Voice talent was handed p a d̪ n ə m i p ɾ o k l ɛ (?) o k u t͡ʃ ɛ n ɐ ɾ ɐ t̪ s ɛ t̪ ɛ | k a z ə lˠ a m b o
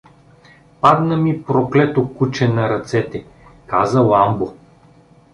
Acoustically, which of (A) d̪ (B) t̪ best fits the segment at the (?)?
B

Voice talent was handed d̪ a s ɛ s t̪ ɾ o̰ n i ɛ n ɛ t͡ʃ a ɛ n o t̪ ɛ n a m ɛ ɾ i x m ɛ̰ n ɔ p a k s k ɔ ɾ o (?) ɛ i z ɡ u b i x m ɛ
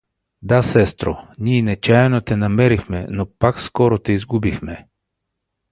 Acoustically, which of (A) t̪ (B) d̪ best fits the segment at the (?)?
A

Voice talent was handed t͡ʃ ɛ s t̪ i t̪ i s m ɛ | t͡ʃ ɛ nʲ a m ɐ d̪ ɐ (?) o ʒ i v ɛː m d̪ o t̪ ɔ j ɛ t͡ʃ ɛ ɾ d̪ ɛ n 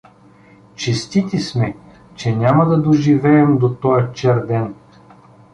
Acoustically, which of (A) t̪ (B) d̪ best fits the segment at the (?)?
B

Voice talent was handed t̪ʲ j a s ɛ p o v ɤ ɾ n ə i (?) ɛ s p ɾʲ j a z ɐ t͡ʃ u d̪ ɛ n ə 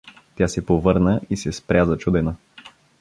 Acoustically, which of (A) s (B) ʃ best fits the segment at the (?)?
A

